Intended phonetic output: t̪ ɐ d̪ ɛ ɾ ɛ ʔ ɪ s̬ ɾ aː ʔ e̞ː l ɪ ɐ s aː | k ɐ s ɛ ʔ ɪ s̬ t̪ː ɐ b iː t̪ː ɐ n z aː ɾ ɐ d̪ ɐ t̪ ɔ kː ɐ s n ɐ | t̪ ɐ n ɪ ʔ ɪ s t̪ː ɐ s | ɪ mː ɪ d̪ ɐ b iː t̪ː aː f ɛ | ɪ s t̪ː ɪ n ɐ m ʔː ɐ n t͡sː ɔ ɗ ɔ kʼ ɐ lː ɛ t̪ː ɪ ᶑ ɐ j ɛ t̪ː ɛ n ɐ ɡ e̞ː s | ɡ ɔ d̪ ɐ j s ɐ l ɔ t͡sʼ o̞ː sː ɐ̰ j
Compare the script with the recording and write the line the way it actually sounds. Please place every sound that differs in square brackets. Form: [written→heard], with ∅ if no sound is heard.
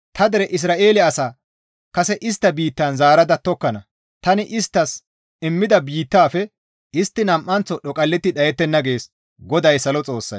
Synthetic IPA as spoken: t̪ ɐ d̪ ɛ ɾ ɛ ʔ ɪ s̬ ɾ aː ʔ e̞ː l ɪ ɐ s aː | k ɐ s ɛ ʔ ɪ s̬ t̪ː ɐ b iː t̪ː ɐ n z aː ɾ ɐ d̪ ɐ t̪ ɔ kː ɐ [s→∅] n ɐ | t̪ ɐ n ɪ ʔ ɪ s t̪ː ɐ s | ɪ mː ɪ d̪ ɐ b iː t̪ː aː f ɛ | ɪ s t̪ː ɪ n ɐ m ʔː ɐ n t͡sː ɔ ɗ ɔ kʼ ɐ lː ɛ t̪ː ɪ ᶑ ɐ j ɛ t̪ː ɛ [n→nː] ɐ ɡ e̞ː s | ɡ ɔ d̪ ɐ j s ɐ l ɔ t͡sʼ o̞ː sː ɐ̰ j